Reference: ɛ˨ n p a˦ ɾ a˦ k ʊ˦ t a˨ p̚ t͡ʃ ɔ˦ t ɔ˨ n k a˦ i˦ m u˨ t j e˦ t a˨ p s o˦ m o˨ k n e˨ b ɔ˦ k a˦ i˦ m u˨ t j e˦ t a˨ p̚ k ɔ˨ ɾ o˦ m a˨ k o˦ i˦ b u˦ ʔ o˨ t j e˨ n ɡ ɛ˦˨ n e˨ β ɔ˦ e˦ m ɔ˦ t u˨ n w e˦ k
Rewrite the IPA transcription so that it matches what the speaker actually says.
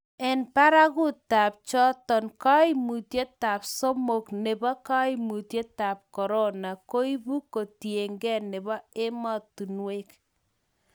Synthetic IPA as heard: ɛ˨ n p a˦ ɾ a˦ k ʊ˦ t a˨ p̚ t͡ʃ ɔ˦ t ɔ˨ n k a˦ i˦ m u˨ t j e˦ t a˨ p s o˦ m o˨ k n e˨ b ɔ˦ k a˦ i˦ m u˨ t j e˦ t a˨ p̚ k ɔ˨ ɾ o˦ n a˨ k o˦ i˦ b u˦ k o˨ t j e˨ ŋ ɡ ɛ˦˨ n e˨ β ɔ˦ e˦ m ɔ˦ t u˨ n w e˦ k